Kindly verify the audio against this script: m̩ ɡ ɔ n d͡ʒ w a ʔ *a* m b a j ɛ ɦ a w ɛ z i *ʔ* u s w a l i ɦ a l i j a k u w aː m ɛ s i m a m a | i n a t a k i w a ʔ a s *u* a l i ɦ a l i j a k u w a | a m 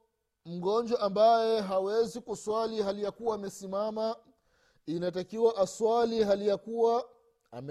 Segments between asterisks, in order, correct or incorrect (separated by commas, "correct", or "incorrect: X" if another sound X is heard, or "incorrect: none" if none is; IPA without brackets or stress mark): correct, incorrect: k, incorrect: w